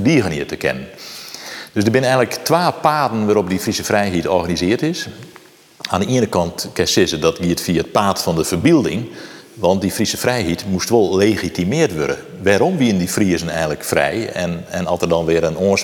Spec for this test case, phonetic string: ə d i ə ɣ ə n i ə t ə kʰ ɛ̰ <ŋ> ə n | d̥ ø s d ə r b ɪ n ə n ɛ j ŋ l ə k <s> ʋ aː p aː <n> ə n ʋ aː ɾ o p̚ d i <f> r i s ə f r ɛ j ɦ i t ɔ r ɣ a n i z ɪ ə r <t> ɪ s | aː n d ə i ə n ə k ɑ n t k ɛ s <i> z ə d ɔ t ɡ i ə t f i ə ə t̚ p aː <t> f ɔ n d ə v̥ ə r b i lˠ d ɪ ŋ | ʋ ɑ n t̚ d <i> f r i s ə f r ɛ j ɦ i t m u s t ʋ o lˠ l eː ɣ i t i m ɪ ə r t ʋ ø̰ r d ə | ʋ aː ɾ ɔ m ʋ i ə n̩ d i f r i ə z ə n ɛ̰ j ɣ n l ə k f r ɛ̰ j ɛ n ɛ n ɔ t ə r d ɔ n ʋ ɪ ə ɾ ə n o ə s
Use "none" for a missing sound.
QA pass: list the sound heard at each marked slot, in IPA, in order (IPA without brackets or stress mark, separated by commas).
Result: n, t, d, f, t, ɪ, t, i